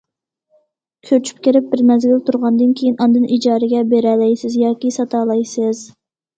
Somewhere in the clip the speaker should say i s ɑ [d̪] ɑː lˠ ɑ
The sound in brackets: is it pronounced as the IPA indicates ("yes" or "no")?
no